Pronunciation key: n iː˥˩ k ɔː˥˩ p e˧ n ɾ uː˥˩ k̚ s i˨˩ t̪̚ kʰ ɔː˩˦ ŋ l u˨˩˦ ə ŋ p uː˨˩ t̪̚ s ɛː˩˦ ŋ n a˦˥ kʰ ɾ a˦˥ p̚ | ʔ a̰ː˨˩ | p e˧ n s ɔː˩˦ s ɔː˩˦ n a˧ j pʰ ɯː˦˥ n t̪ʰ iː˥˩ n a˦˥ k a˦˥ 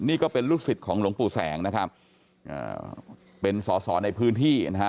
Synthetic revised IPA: n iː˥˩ k ɔː˥˩ p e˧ n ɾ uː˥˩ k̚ s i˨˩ t̪̚ kʰ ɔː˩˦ ŋ l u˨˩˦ ə ŋ p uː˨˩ s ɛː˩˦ ŋ n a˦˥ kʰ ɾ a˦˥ p̚ | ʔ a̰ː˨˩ | p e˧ n s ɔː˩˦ s ɔː˩˦ n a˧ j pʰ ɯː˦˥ n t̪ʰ iː˥˩ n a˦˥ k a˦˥